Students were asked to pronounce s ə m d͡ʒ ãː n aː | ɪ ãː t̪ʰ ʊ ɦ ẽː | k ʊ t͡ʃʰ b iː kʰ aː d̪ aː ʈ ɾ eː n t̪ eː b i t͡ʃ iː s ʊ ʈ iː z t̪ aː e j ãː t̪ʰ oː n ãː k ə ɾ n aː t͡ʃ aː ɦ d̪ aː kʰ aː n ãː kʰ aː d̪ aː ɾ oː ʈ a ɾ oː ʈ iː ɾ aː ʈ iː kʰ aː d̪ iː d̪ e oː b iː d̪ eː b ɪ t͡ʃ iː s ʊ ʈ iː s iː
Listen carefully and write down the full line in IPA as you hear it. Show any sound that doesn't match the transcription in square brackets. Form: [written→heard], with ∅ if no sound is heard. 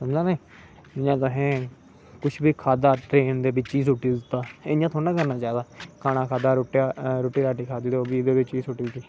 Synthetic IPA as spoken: s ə m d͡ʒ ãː n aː | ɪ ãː [t̪ʰ→t̪] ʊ ɦ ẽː | k ʊ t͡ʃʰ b iː kʰ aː d̪ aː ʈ ɾ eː n [t̪→d̪] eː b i t͡ʃ iː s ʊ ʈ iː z t̪ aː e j ãː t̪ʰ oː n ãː k ə ɾ n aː t͡ʃ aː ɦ d̪ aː kʰ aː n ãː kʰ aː d̪ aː ɾ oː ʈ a ɾ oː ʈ iː ɾ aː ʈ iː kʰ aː d̪ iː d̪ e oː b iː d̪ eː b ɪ t͡ʃ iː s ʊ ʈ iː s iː

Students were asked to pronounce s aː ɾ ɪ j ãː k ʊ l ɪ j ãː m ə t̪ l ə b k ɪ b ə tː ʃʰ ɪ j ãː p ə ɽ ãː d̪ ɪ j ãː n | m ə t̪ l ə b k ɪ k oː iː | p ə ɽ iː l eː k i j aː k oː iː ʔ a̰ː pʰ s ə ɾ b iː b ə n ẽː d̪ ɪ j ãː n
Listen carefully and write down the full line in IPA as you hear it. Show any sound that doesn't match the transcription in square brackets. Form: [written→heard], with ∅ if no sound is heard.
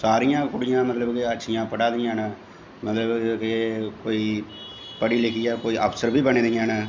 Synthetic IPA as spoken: s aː ɾ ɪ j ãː k ʊ [l→ɽ] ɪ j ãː m ə t̪ l ə b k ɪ [b→∅] ə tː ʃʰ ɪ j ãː p ə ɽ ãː d̪ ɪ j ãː n | m ə t̪ l ə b k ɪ k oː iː | p ə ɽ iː l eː k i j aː k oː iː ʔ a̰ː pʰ s ə ɾ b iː b ə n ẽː d̪ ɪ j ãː n

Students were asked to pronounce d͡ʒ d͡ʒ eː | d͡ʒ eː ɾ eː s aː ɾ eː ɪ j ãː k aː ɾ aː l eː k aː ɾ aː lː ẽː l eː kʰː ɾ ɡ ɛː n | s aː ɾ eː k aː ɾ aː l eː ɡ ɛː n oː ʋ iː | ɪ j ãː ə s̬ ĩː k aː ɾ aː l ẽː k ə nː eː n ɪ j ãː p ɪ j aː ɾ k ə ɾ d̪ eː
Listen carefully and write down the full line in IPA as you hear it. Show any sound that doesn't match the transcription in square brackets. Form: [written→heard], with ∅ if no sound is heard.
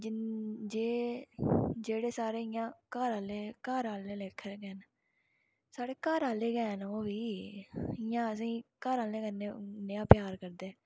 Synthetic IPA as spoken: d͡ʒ d͡ʒ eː | d͡ʒ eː [ɾ→ɽ] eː s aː ɾ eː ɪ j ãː k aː ɾ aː l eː k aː ɾ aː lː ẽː l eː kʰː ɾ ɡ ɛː n | s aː [ɾ→ɽ] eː k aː ɾ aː l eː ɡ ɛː n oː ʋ iː | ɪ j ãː ə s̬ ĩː k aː ɾ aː l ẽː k ə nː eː n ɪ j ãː p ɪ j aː ɾ k ə ɾ d̪ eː

